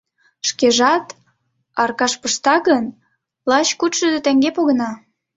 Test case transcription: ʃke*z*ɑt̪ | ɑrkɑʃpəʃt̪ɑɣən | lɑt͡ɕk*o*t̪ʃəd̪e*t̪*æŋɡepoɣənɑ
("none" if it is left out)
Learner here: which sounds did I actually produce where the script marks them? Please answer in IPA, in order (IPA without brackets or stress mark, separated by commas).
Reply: ʒ, u, t̪